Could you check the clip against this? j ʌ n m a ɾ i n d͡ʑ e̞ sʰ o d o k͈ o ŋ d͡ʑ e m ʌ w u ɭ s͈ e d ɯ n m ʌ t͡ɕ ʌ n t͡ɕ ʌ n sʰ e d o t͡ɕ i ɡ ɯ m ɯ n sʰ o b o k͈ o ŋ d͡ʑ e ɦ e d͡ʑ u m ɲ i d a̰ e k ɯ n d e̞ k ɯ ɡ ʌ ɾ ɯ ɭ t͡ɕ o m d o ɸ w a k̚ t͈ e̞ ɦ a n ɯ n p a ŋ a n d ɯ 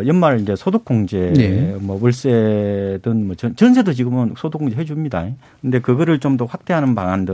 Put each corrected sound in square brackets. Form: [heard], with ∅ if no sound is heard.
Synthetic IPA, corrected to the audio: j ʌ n m a ɾ i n d͡ʑ e̞ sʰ o d o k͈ o ŋ d͡ʑ e m ʌ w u ɭ s͈ e d ɯ n m ʌ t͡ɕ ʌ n t͡ɕ ʌ n sʰ e d o t͡ɕ i ɡ ɯ m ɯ n sʰ o [d] o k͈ o ŋ d͡ʑ e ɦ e d͡ʑ u m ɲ i d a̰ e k ɯ n d e̞ k ɯ ɡ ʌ ɾ ɯ ɭ t͡ɕ o m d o ɸ w a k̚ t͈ e̞ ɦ a n ɯ n p a ŋ a n d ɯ